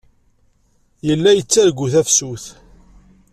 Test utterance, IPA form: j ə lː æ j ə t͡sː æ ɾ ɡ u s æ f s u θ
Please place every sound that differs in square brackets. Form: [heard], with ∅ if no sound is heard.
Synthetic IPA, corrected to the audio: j ə lː æ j ə t͡sː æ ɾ ɡ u [θ] æ f s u θ